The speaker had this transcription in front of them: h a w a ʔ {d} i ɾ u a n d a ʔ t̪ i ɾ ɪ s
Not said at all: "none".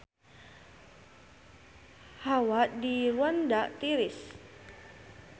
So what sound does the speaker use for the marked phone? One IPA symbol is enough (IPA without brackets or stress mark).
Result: d